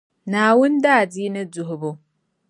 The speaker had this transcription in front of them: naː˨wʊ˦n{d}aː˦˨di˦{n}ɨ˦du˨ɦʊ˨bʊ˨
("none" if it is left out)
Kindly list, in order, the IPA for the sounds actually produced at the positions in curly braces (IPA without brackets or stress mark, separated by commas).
d, n